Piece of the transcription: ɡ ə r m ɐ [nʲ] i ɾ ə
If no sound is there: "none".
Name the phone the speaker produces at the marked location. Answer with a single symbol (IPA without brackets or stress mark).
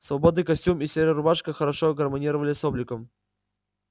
nʲ